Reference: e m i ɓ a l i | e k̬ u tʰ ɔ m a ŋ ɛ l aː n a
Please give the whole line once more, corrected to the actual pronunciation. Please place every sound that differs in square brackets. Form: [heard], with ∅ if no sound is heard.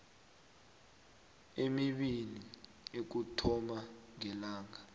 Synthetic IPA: e m i ɓ [i] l i | e k̬ u tʰ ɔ m a ŋ ɛ l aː [ŋ] a